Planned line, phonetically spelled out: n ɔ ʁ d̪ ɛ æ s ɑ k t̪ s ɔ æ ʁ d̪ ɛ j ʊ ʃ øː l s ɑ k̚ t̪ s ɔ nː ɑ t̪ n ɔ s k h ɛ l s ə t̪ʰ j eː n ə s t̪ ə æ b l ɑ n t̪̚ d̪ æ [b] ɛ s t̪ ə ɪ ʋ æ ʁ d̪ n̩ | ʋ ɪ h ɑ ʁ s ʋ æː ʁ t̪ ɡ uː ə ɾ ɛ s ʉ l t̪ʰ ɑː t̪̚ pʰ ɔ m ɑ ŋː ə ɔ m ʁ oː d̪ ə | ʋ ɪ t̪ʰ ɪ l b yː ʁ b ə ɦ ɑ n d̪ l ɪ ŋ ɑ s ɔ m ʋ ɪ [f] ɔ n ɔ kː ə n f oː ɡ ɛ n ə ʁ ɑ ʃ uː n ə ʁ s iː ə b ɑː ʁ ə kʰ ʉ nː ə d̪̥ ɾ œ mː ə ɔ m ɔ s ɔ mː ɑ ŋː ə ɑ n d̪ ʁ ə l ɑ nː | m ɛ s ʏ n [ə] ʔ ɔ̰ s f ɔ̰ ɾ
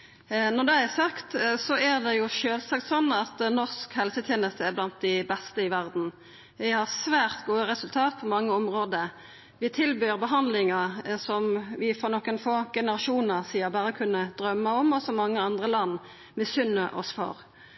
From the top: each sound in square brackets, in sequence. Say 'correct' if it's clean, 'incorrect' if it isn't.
correct, correct, correct

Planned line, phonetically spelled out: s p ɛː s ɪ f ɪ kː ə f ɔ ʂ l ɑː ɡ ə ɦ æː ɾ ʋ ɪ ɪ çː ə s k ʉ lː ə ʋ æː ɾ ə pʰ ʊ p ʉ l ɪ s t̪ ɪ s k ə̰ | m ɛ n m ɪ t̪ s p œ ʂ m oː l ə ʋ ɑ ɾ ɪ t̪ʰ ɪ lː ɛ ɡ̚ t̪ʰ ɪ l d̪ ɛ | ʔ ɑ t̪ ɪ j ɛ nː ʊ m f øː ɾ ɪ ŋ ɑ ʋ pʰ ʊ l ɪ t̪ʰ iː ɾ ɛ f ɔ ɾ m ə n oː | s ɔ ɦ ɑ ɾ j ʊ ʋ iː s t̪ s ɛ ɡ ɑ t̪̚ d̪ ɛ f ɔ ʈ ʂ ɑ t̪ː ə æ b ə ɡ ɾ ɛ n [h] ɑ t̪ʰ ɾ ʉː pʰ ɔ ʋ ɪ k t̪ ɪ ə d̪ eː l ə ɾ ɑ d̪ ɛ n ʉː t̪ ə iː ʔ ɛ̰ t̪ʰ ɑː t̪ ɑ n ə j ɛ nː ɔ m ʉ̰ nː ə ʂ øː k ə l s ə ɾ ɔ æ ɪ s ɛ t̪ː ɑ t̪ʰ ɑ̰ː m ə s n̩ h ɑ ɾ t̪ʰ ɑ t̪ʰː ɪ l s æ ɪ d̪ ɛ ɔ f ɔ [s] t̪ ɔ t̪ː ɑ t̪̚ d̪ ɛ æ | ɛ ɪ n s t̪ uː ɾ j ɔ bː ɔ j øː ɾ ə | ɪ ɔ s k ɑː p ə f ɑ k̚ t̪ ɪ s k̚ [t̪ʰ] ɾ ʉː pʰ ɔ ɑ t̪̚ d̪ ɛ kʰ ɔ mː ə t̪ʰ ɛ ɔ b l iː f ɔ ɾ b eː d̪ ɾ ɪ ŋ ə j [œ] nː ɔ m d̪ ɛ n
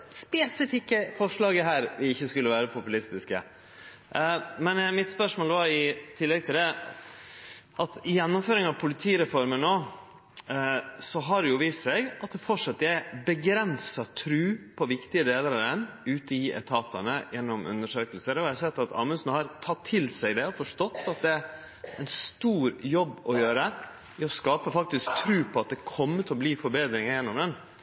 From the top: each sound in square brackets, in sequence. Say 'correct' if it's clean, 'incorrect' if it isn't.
incorrect, incorrect, correct, incorrect

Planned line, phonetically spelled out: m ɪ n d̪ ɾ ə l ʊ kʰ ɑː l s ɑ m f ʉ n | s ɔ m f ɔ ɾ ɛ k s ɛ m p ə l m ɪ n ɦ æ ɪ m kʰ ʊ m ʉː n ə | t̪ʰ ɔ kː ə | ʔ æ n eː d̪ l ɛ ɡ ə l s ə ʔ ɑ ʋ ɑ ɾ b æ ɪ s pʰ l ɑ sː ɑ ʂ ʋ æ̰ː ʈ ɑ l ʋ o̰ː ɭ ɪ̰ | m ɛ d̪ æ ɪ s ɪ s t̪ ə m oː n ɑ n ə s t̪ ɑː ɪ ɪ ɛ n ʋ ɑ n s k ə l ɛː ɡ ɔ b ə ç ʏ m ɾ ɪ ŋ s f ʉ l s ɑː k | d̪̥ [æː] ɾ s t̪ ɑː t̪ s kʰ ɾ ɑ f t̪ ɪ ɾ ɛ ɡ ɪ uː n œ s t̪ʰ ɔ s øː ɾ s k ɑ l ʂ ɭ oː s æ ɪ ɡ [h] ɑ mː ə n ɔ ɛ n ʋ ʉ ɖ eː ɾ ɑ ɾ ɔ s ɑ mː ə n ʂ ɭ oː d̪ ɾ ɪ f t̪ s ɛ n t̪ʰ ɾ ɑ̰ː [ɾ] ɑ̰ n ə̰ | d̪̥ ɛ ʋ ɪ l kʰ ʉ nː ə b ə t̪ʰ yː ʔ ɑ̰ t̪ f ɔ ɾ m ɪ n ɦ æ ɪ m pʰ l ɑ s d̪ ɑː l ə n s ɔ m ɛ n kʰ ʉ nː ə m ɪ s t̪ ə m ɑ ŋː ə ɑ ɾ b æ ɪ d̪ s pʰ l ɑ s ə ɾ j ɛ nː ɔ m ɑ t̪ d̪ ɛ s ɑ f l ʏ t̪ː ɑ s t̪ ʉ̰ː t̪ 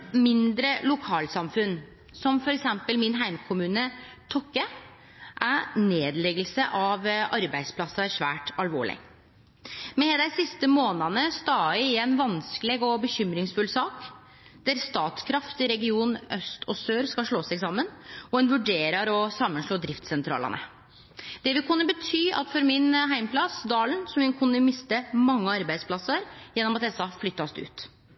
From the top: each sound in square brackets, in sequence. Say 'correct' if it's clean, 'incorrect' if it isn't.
incorrect, incorrect, incorrect

